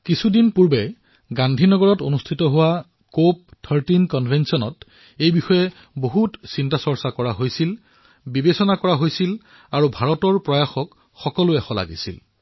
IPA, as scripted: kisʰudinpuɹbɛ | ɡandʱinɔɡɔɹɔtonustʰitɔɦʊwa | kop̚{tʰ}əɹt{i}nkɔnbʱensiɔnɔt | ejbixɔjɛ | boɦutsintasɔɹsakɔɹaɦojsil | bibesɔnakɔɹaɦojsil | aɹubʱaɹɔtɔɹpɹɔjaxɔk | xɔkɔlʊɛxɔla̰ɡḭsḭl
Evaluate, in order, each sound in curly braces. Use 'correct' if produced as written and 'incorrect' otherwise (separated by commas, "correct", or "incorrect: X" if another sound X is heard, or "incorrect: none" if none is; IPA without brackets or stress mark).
correct, correct